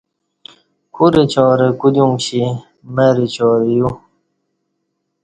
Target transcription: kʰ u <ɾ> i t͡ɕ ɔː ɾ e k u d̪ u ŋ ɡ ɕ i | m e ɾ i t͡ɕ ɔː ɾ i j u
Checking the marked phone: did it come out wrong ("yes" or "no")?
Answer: no